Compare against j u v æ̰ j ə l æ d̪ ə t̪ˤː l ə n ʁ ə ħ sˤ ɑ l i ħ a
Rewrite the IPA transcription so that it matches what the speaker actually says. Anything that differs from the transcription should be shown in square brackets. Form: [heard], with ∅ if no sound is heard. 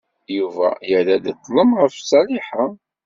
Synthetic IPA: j u v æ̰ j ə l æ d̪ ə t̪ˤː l ə [m] ʁ ə [f] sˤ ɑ l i ħ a